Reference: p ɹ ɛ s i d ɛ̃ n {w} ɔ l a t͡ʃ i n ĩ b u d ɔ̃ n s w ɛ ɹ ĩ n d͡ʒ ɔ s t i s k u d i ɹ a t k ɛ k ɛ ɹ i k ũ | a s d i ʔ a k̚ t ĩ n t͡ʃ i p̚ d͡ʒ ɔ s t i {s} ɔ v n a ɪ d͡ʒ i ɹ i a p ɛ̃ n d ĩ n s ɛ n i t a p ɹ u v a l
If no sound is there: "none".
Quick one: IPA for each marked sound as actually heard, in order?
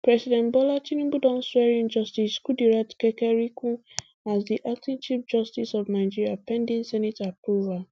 b, s

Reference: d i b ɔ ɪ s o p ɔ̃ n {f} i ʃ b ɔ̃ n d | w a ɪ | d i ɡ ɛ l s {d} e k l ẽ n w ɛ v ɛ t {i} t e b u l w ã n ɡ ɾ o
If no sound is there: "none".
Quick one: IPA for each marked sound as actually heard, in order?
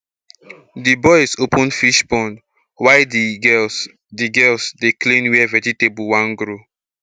f, d, i

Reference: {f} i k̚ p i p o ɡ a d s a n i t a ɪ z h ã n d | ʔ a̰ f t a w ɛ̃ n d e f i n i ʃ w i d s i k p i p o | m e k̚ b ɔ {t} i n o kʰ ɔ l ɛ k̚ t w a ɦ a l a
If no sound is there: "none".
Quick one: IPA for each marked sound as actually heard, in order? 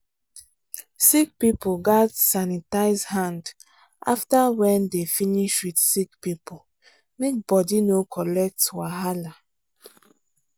s, d

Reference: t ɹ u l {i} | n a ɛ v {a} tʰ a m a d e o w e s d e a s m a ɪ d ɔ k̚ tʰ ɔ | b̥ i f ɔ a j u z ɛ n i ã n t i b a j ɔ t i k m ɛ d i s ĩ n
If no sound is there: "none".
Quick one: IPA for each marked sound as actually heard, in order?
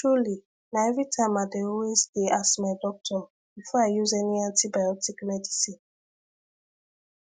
i, i

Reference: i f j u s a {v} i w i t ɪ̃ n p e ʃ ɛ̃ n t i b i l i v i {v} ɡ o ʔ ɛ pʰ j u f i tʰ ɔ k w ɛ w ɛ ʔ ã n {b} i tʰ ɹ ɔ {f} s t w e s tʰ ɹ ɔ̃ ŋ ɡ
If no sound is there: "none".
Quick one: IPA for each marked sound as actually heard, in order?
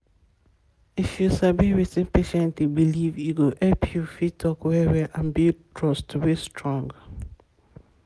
b, none, b, none

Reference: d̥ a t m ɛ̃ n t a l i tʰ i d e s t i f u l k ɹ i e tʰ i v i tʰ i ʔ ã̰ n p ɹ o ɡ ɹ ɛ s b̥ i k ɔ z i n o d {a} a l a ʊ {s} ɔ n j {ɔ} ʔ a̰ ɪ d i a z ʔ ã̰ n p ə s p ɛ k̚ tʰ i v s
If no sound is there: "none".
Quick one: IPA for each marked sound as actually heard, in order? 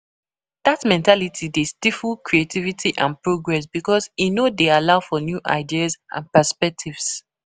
e, f, u

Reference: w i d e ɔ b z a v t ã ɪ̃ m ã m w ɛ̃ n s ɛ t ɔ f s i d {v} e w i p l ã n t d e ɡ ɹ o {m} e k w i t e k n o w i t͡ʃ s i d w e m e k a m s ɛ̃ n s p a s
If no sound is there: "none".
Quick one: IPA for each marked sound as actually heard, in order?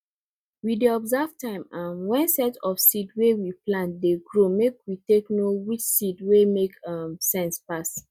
w, m

